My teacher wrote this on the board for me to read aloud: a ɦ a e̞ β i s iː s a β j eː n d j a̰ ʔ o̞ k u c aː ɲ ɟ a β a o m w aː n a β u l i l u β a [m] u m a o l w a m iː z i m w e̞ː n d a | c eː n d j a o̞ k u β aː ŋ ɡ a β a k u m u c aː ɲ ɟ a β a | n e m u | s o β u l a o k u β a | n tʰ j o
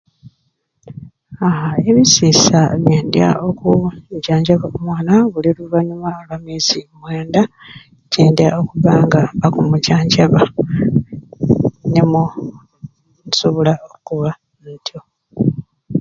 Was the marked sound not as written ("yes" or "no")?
yes